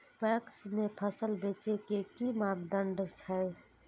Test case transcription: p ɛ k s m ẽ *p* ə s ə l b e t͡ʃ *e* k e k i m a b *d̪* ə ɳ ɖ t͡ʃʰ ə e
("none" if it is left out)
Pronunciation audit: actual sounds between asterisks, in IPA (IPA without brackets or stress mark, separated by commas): pʰ, e, d̪